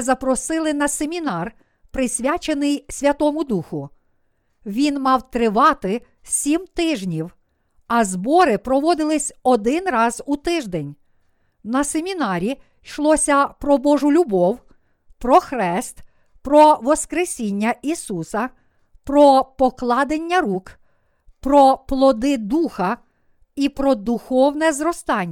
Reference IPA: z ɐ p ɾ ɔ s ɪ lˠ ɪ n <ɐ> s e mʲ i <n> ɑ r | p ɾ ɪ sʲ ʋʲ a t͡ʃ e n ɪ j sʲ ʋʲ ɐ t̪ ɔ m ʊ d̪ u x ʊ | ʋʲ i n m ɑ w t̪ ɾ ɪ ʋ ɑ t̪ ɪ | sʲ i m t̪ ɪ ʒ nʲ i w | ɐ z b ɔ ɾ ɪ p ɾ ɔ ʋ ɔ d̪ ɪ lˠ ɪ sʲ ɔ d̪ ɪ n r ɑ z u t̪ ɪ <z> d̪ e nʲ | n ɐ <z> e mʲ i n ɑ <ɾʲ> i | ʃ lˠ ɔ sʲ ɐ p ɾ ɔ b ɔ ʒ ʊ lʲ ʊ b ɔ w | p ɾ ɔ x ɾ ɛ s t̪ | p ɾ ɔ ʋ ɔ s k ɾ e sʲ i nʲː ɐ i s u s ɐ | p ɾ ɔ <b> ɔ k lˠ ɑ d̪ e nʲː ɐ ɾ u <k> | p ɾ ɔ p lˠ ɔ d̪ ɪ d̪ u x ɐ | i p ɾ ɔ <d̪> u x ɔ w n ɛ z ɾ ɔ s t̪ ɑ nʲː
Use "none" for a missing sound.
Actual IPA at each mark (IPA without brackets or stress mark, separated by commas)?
ɐ, n, ʒ, s, ɾʲ, p, k, d̪